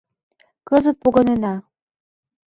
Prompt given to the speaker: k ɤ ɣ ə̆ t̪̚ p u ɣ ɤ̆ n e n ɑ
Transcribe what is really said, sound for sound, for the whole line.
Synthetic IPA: k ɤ z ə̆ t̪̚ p o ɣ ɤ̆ n e n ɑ